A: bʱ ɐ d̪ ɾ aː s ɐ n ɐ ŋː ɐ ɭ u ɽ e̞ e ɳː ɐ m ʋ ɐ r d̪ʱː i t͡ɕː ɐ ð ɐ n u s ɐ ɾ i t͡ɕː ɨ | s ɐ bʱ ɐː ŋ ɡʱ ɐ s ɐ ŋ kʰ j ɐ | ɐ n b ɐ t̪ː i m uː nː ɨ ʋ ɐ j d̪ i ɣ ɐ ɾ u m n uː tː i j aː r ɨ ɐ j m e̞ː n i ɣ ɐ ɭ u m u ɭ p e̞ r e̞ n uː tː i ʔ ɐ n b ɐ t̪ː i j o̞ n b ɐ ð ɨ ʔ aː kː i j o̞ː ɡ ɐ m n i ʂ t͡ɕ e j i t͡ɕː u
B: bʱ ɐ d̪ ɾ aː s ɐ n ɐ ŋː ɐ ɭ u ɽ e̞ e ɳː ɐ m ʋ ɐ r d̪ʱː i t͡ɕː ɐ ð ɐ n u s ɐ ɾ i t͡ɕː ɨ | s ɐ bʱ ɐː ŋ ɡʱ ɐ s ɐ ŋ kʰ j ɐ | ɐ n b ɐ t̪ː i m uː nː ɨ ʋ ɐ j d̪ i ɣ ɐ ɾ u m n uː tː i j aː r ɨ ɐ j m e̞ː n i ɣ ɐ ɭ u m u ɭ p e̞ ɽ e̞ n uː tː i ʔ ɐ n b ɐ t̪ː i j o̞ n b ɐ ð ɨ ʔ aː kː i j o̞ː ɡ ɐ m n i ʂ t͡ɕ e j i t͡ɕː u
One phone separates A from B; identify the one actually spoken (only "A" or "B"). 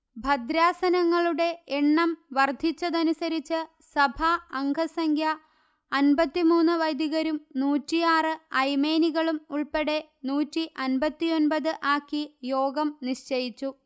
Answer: B